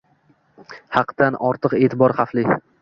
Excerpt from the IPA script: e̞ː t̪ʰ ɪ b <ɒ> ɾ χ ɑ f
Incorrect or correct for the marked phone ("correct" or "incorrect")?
correct